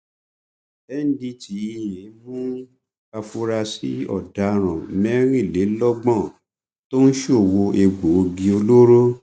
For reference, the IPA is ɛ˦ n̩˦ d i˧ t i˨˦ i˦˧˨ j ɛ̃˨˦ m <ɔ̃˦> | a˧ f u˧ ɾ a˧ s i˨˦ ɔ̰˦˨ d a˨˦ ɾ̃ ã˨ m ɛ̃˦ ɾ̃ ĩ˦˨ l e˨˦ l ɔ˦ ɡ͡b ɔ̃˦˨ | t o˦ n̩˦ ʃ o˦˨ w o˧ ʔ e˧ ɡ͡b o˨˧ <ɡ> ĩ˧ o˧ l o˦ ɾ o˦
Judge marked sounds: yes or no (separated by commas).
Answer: no, yes